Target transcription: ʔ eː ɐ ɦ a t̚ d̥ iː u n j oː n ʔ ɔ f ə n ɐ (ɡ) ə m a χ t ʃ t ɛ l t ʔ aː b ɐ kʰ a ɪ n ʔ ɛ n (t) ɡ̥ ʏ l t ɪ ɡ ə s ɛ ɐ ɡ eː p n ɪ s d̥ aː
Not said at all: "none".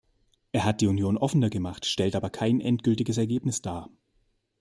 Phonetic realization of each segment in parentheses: ɡ, t

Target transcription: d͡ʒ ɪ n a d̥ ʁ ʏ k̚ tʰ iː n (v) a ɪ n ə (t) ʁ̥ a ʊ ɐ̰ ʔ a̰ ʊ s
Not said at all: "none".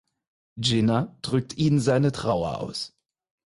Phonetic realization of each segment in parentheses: z, t

